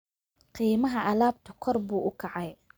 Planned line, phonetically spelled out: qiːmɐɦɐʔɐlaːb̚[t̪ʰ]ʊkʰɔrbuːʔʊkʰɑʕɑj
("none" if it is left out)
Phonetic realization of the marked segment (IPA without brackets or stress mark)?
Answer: t̪ʰ